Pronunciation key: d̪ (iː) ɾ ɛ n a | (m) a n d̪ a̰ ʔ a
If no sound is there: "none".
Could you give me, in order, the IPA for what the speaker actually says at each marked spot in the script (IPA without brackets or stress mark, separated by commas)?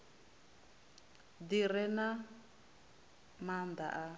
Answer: i, m